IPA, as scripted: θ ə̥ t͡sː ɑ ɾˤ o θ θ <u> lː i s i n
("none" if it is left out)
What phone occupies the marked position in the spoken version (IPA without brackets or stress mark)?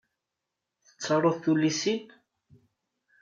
u